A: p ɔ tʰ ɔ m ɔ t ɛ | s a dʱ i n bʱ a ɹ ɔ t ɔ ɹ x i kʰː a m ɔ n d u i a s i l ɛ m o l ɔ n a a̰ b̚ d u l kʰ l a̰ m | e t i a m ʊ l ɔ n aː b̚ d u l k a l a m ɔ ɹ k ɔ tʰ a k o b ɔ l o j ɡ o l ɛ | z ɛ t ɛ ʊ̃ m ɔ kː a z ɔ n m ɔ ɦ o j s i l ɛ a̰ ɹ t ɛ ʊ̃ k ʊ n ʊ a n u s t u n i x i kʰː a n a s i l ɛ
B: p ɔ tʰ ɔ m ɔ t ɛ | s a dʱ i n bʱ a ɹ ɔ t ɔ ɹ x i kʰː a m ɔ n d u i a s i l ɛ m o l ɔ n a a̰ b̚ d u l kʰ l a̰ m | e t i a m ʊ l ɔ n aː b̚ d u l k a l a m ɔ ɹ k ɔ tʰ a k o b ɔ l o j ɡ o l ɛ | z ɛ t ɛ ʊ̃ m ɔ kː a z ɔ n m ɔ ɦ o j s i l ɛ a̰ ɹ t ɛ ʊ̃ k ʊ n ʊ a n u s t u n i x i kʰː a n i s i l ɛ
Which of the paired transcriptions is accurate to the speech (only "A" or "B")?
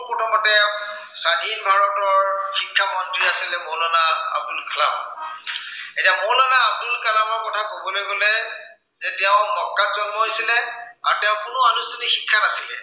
A